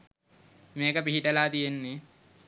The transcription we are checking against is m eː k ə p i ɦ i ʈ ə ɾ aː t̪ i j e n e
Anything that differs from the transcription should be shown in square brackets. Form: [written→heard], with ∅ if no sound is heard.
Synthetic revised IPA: m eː k ə p i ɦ i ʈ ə [ɾ→l] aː t̪ i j e [n→nː] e